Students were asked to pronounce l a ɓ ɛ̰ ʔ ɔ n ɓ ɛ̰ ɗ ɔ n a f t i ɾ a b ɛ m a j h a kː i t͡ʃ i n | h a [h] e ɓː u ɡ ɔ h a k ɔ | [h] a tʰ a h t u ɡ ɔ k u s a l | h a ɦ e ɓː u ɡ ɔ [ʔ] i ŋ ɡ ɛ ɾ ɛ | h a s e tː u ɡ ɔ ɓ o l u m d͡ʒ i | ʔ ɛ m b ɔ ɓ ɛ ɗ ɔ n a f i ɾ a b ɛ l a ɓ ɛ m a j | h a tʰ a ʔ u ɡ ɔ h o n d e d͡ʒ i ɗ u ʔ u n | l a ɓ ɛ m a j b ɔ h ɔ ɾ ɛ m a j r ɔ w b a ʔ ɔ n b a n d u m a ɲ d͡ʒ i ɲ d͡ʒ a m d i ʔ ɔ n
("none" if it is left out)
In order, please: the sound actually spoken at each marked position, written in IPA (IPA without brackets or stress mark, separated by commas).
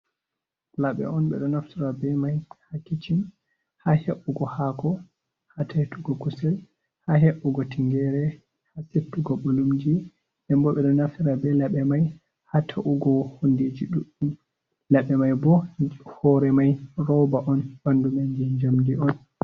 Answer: h, h, t